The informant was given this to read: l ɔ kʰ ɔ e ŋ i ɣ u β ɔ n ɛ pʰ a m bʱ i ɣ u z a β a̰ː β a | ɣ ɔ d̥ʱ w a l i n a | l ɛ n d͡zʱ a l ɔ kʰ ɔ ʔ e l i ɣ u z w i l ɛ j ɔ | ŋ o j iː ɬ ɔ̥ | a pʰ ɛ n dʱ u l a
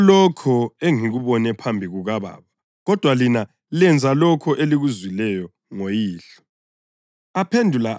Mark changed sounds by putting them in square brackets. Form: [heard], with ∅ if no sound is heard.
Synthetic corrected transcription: l ɔ kʰ ɔ e ŋ i ɣ u β ɔ n ɛ pʰ a m bʱ i ɣ u [ɣ] a β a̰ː β a | ɣ ɔ d̥ʱ w a l i n a | l ɛ n d͡zʱ a l ɔ kʰ ɔ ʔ e l i ɣ u z w i l ɛ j ɔ | ŋ o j iː ɬ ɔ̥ | a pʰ [e] n dʱ u l a